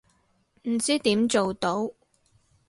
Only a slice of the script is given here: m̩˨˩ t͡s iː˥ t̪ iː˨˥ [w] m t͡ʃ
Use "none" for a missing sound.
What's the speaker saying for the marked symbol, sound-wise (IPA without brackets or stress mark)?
none